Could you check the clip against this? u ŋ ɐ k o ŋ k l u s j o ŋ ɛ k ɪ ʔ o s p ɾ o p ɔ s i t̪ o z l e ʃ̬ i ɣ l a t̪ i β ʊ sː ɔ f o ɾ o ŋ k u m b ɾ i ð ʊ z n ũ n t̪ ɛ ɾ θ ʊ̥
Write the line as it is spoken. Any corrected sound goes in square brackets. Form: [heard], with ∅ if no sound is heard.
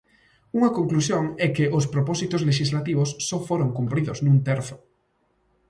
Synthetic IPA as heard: u ŋ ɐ k o ŋ k l u s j o ŋ ɛ k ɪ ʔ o s p ɾ o p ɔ s i t̪ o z l e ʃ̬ i [z] l a t̪ i β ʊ sː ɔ f o ɾ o ŋ k u m [p] ɾ i ð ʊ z n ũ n t̪ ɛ ɾ θ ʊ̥